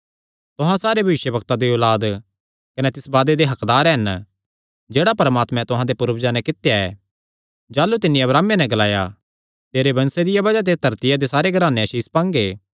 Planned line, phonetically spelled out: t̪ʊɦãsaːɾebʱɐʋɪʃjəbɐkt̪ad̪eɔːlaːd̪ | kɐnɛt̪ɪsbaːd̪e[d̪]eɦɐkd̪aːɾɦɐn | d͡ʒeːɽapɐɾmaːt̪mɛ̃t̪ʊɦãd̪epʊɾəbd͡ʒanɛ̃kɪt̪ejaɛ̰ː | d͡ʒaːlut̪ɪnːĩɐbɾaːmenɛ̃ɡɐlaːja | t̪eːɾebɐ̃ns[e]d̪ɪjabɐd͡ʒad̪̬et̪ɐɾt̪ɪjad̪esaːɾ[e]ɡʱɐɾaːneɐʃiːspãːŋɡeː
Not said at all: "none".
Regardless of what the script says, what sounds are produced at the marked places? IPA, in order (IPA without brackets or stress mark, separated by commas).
d̪, e, e